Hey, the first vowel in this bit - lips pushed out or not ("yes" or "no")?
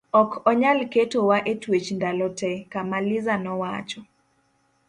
yes